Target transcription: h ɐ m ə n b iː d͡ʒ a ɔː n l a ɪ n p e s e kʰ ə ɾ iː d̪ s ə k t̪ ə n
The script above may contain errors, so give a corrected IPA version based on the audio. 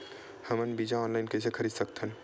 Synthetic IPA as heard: h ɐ m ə n b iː d͡ʒ a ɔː n l a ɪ n k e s e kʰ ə ɾ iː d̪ s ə k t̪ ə n